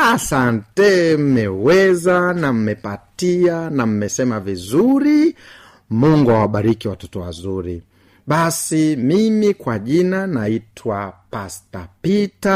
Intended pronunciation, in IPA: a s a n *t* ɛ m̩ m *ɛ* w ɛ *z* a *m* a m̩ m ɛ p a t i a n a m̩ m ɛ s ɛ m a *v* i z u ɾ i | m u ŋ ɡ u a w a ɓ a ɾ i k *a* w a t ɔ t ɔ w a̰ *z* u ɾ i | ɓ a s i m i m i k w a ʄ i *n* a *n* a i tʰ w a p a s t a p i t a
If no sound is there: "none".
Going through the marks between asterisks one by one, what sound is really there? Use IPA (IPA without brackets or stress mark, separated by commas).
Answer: t, ɛ, z, n, v, i, z, n, n